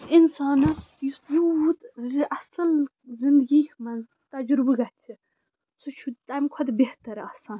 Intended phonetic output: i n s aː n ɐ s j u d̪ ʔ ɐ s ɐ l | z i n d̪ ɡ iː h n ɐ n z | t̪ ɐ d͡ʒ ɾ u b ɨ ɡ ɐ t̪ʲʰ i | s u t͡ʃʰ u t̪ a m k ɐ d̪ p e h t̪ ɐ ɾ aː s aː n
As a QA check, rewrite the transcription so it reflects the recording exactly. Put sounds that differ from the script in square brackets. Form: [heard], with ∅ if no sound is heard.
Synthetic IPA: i n s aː n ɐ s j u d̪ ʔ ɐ s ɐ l | z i n d̪ ɡ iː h [m] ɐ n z | t̪ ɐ d͡ʒ ɾ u b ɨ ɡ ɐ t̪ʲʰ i | s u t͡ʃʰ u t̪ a m [kʰ] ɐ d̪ [b] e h t̪ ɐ ɾ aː s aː n